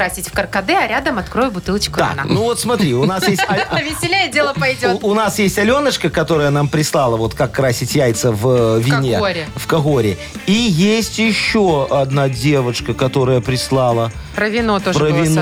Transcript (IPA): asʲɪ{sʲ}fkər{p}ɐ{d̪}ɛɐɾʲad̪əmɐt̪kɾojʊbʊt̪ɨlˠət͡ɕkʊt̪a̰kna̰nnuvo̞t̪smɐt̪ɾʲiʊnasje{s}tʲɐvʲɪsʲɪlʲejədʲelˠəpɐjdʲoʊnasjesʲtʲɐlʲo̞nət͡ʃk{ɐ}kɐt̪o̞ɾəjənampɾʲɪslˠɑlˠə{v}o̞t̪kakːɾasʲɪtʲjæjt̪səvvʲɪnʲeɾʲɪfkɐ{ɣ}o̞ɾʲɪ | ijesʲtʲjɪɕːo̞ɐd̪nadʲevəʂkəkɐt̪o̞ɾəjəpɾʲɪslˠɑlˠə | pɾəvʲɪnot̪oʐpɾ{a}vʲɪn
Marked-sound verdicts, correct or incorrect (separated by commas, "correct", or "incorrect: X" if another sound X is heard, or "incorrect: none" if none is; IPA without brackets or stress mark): incorrect: tʲ, incorrect: k, correct, correct, incorrect: ə, correct, correct, incorrect: ə